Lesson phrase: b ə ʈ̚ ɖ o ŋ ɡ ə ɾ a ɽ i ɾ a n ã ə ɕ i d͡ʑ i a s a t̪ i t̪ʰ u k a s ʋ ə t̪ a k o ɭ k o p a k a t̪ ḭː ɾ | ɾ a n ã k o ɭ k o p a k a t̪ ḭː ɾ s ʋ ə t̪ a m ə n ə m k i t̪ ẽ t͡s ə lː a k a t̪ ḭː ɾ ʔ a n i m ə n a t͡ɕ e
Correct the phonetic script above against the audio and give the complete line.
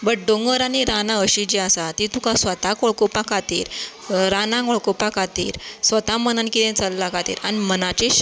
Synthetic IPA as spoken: b ə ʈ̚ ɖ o ŋ ɡ ə ɾ a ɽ i ɾ a n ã ə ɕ i d͡ʑ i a s a t̪ i t̪ u k a s ʋ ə t̪ a k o ɭ k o p a k a t̪ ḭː ɾ | ɾ a n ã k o ɭ k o p a k a t̪ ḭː ɾ s ʋ ə t̪ a m ə n ə n k i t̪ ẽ t͡s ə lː a k a t̪ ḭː ɾ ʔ a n i m ə n a t͡ɕ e